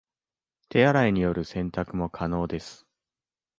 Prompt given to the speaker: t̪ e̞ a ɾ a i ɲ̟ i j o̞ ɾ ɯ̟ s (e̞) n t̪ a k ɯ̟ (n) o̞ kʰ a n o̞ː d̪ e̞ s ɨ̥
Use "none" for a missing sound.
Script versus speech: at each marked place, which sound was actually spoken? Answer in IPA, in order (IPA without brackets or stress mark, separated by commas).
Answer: ẽ̞, m